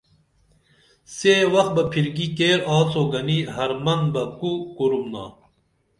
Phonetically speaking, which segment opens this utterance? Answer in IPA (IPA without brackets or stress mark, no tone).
s